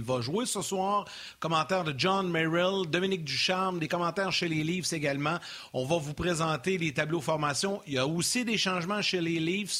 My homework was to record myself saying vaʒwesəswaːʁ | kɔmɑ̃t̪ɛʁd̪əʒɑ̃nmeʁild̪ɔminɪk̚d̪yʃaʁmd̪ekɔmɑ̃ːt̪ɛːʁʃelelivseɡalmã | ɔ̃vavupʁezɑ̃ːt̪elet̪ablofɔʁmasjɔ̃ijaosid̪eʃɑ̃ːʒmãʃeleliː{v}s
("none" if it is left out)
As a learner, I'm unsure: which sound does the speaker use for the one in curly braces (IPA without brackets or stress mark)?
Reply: v